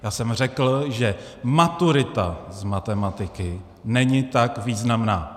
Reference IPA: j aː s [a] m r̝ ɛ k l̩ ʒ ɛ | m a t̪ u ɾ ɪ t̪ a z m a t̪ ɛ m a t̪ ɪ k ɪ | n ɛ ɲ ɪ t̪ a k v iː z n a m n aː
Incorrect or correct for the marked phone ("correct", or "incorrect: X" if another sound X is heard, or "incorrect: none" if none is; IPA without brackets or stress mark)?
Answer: incorrect: ɛ